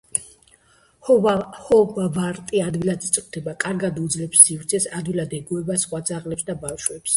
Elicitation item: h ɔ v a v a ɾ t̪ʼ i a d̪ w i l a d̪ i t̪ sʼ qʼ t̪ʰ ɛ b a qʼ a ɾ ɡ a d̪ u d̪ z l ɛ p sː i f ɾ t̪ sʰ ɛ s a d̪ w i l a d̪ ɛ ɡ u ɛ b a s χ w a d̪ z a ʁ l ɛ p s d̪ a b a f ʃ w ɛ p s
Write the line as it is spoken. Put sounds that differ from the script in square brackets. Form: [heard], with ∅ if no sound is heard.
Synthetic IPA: h ɔ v a v a ɾ t̪ʼ i a d̪ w i l a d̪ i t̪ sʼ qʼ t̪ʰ ɛ b a [kʼ] a ɾ ɡ a d̪ u d̪ z l ɛ p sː i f ɾ t̪ sʰ ɛ s a d̪ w i l a d̪ ɛ ɡ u ɛ b a s χ w a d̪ z a ʁ l ɛ p s d̪ a b a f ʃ w ɛ p s